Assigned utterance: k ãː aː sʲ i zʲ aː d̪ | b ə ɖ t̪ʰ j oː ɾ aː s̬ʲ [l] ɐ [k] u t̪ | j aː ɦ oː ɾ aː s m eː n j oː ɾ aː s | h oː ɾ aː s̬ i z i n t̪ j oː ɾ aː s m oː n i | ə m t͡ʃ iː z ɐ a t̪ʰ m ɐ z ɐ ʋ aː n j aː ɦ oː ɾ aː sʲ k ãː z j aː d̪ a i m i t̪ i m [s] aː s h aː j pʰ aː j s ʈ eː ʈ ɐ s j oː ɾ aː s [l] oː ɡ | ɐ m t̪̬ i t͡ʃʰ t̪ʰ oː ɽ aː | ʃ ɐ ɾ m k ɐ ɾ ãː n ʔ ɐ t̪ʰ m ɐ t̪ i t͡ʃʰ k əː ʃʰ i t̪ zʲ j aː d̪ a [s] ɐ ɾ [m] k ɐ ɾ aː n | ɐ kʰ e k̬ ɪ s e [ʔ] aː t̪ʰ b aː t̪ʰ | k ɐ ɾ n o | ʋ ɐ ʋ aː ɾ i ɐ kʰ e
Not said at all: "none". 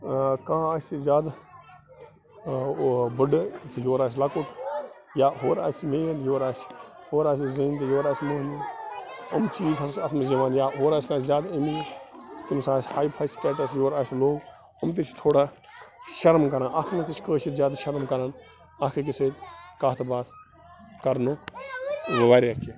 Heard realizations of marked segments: l, k, s, l, ʃ, m, k

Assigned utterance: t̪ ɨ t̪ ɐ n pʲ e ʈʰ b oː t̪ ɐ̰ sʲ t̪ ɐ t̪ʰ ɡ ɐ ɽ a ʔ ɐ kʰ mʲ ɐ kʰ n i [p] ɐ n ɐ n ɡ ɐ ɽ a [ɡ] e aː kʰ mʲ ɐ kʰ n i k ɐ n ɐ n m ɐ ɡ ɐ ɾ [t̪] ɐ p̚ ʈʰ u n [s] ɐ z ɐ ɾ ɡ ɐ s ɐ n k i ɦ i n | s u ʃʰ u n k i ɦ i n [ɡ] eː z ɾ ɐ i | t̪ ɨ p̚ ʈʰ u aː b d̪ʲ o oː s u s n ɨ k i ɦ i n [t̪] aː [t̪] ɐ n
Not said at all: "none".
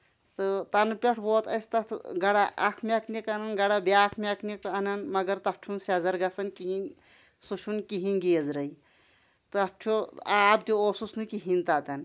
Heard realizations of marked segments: k, b, t̪, s, ɡ, t̪, t̪

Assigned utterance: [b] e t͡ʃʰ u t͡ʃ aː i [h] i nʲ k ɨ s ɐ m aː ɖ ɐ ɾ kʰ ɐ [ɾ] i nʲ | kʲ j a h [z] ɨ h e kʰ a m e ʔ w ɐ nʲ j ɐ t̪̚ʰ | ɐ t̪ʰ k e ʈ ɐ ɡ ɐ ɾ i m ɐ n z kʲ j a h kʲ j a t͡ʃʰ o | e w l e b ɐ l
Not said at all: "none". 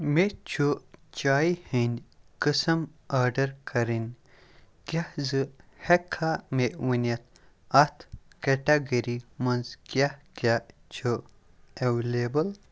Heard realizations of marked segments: m, h, ɾ, z

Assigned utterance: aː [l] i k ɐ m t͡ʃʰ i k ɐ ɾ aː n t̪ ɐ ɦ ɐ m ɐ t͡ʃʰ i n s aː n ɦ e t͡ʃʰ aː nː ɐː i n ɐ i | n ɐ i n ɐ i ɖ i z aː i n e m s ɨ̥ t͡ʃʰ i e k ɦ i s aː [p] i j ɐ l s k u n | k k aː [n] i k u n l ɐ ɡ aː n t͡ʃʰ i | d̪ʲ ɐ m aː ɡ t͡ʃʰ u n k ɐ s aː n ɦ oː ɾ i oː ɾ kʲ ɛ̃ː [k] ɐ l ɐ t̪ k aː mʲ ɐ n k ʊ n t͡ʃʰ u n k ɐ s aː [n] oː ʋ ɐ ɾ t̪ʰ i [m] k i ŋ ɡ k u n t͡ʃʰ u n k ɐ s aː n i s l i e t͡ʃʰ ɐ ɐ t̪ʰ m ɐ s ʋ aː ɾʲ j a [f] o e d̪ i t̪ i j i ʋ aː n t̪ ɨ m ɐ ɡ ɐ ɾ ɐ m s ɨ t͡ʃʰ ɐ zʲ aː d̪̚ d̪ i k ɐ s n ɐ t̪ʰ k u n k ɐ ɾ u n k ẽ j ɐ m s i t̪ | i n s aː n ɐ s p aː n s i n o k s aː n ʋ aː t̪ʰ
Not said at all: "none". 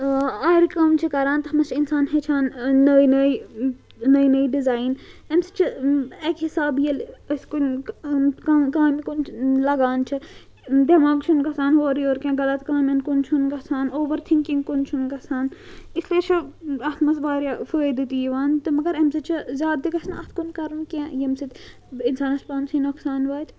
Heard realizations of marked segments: ɾ, b, m, ɡ, n, ŋ, f

